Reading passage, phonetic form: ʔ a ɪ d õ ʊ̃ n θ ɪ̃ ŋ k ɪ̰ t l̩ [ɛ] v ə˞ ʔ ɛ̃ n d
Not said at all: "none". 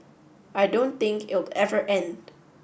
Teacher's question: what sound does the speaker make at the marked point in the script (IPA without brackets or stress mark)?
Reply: ɛ